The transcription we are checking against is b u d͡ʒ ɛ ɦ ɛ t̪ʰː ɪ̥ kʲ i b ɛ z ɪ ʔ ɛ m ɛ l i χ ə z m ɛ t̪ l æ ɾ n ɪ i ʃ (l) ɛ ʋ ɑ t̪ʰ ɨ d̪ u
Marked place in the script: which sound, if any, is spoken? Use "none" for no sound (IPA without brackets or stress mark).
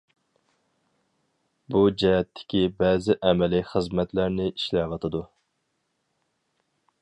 l